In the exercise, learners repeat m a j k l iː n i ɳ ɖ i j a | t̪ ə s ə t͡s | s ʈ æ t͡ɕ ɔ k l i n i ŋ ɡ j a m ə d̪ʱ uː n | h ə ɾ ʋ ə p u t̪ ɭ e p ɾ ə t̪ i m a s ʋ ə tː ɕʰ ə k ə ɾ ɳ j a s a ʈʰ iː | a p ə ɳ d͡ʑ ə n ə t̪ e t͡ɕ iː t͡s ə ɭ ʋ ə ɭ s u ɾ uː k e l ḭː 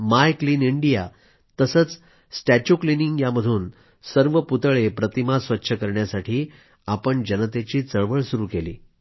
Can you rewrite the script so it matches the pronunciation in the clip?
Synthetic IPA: m a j k l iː n i ɳ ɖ i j a | t̪ ə s ə t͡s | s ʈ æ t͡ɕ u k l i n i ŋ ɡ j a m ə d̪ʱ uː n | s ə ɾ ʋ ə p u t̪ ɭ e p ɾ ə t̪ i m a s ʋ ə tː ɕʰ ə k ə ɾ ɳ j a s a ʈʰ iː | a p ə ɳ d͡ʑ ə n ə t̪ e t͡ɕ iː t͡s ə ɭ ʋ ə ɭ s u ɾ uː k e l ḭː